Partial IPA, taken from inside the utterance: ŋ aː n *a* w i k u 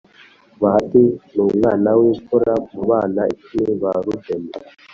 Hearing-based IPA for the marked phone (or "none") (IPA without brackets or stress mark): a